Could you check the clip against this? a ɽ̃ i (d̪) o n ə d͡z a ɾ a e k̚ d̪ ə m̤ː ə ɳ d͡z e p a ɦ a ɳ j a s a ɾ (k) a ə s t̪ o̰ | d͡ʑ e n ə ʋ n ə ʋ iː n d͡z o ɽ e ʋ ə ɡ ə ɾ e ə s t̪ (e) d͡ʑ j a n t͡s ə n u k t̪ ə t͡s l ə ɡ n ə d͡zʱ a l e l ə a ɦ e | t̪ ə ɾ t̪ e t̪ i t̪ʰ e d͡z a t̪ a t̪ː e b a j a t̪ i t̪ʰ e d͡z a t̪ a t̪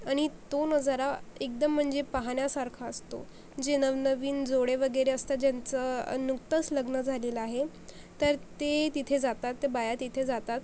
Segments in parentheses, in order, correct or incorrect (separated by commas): incorrect, incorrect, incorrect